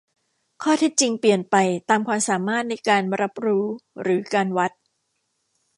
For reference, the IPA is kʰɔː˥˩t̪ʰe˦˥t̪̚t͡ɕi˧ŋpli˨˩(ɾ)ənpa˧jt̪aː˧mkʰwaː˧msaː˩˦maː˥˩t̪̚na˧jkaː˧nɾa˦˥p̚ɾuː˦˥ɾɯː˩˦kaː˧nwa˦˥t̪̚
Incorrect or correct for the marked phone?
incorrect: none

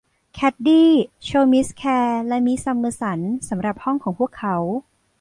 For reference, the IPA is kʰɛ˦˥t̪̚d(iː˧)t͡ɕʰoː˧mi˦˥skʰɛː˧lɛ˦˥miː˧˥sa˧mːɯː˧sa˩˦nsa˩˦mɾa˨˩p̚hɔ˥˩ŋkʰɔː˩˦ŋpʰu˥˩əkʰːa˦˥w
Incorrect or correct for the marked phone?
incorrect: iː˥˩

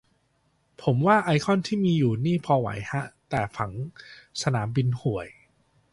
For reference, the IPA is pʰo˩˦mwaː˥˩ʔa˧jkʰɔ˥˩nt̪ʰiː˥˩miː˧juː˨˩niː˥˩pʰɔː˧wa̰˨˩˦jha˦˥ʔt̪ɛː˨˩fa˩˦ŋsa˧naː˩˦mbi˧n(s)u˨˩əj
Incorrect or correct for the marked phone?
incorrect: h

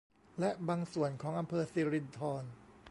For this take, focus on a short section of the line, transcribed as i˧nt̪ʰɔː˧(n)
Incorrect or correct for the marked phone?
correct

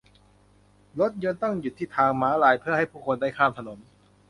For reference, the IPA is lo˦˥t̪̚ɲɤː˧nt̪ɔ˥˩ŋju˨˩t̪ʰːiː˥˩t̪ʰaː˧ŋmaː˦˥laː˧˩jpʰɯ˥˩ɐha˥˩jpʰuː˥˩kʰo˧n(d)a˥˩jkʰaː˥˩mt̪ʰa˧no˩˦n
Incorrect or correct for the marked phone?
correct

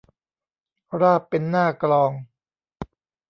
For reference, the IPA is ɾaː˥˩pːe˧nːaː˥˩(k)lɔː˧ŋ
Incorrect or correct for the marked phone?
correct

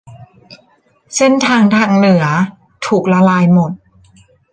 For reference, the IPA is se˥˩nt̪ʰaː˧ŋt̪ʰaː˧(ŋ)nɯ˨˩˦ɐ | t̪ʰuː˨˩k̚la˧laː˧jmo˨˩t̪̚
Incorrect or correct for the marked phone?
correct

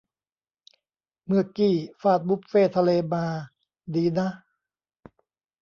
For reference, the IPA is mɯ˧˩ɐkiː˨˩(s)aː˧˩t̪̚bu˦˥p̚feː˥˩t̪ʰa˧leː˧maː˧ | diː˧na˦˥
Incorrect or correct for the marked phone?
incorrect: f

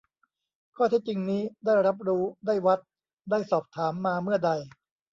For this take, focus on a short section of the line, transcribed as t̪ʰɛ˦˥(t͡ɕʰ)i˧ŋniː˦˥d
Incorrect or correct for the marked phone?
incorrect: t͡ɕ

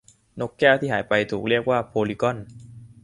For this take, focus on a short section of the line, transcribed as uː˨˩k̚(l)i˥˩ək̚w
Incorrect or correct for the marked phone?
incorrect: ɾ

